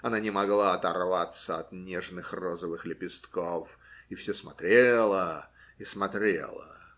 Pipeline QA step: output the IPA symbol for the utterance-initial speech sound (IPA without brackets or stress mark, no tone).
ɐ